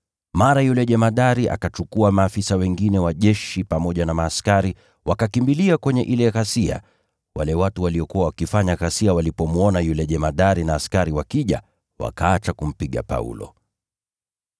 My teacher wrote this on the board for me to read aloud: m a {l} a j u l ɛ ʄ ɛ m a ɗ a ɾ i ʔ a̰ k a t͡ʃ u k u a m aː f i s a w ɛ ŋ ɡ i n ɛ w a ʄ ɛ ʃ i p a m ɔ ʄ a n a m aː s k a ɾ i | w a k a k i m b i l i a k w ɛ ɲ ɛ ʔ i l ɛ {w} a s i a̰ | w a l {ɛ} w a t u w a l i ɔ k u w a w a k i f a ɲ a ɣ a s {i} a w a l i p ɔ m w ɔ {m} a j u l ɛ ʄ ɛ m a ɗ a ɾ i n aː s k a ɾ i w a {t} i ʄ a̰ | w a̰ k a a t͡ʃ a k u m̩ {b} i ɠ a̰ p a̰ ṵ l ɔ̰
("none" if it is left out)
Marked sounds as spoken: ɾ, ɣ, ɛ, i, n, k, p

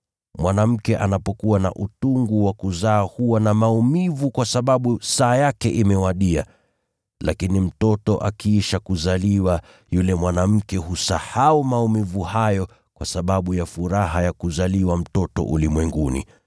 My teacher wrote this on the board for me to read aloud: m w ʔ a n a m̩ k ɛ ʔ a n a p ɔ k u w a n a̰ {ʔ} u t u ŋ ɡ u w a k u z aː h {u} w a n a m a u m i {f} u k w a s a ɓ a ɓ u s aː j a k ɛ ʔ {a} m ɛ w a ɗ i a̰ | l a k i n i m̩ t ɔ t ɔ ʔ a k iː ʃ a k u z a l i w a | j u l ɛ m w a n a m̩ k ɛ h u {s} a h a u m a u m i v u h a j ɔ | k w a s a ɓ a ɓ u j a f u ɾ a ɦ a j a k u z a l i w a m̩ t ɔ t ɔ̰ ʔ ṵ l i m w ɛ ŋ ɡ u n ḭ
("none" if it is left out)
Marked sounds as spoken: ʔ, u, v, i, s

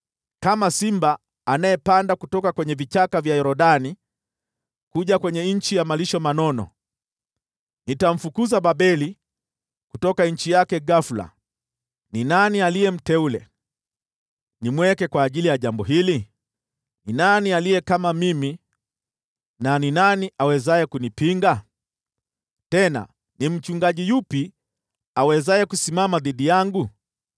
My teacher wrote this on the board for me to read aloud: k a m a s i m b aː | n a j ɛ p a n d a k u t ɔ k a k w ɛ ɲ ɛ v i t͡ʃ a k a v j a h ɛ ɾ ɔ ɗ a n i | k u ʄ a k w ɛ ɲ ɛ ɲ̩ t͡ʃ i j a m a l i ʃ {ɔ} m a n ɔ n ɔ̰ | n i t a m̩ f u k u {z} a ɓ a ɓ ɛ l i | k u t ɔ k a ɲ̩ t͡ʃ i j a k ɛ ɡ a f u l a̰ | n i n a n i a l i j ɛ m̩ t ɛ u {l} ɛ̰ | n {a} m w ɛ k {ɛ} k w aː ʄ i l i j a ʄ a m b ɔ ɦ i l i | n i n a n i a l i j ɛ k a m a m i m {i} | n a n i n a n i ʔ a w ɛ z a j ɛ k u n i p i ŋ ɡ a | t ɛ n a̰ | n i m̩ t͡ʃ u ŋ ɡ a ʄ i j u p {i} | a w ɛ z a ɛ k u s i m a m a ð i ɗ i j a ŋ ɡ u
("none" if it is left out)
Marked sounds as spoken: ɔ, z, l, i, ɛ, i, i

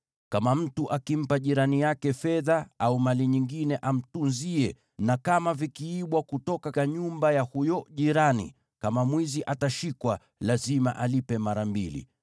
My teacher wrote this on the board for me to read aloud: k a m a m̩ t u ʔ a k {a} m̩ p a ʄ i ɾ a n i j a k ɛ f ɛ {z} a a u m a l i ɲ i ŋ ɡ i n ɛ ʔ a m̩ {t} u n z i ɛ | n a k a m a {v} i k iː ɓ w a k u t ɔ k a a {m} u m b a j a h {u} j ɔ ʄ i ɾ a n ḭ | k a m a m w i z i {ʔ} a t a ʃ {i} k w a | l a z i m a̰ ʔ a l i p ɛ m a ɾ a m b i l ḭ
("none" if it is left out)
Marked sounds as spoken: i, ð, t, v, ɲ, u, ʔ, i

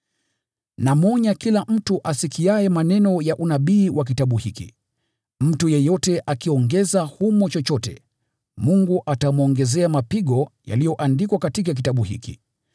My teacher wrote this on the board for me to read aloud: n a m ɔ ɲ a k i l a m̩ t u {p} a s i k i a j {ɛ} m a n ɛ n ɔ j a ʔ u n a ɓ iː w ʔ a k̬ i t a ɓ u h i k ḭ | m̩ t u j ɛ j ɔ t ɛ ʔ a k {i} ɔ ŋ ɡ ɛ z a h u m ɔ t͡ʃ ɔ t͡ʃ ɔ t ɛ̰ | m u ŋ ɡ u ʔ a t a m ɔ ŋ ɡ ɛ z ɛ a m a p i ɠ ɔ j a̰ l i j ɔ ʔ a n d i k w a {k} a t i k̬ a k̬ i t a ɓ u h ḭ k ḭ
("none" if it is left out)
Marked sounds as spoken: ʔ, ɛ, i, k

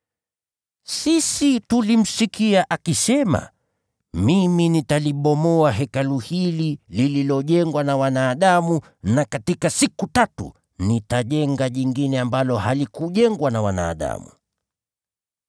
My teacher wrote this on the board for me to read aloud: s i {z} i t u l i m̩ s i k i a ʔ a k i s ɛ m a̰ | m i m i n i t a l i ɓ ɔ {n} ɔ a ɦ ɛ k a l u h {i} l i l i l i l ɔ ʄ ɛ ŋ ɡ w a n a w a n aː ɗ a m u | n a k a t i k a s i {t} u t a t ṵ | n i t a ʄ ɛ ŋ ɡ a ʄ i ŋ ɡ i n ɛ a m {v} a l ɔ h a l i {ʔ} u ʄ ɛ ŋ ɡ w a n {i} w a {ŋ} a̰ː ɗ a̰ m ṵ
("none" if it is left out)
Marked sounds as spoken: s, m, i, k, b, k, a, n

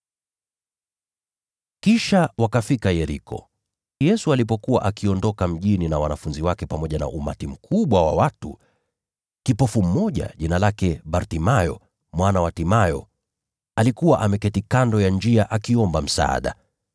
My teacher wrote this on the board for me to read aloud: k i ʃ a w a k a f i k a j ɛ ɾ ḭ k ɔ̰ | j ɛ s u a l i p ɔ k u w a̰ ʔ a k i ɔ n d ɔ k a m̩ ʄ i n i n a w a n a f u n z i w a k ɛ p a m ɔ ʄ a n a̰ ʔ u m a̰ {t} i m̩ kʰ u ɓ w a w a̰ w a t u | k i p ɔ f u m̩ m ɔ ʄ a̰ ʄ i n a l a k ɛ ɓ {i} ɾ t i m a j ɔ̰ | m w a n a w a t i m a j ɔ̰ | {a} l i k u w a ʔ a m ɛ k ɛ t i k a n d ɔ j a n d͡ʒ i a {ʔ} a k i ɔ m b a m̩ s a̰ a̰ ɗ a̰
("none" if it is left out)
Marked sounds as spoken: t, a, a, ʔ

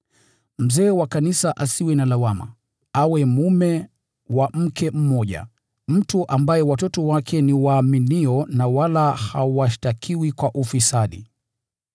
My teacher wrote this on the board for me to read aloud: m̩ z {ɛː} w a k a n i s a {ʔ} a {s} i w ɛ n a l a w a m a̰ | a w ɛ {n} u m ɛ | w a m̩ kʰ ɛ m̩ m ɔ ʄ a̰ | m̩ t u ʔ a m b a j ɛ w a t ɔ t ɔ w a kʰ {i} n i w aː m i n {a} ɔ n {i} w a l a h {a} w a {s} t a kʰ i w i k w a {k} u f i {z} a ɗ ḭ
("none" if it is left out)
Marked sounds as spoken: ɛː, ʔ, s, m, ɛ, i, a, a, ʃ, ʔ, s

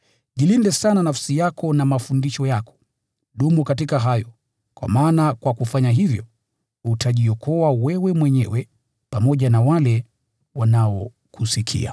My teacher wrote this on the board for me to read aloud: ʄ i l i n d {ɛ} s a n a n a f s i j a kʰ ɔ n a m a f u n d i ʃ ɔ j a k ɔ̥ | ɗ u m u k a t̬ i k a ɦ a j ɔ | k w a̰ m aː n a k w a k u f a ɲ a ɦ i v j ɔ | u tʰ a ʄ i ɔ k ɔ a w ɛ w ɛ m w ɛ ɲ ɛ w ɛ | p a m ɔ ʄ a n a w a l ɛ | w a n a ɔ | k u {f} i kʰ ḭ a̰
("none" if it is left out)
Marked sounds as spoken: ɛ, s

